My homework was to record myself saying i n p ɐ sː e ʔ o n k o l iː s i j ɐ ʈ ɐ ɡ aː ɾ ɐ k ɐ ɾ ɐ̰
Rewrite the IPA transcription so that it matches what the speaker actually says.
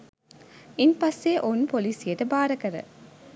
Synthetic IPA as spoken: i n p ɐ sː e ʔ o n p o l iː s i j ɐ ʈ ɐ b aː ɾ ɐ k ɐ ɾ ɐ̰